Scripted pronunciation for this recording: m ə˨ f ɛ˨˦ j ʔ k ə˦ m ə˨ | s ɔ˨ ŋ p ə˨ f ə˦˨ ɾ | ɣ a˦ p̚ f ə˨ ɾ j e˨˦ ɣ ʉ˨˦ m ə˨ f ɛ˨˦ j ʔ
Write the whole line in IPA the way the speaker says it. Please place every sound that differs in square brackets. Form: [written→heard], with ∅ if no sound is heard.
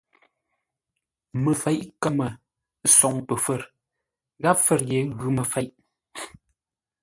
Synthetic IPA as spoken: m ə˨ f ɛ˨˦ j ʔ k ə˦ m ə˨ | s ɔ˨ ŋ p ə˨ f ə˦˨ ɾ | ɣ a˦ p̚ f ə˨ ɾ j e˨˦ ɣ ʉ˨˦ m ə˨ f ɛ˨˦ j ʔ